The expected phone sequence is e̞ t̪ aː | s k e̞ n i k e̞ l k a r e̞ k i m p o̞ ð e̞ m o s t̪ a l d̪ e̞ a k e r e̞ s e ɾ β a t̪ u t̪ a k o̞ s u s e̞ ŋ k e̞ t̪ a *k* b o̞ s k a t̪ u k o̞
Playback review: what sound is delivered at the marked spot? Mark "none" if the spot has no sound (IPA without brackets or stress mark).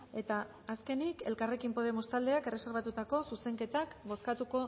k